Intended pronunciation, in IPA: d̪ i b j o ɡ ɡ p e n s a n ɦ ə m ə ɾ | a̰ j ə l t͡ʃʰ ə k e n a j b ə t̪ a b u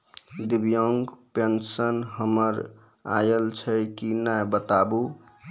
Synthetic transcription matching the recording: d̪ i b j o ŋ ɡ p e n s ə n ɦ ə m ə ɾ | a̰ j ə l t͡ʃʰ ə k i n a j b ə t̪ a b u